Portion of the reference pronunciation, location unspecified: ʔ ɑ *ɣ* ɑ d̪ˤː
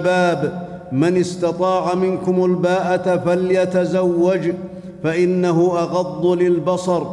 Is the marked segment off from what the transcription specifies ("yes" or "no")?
no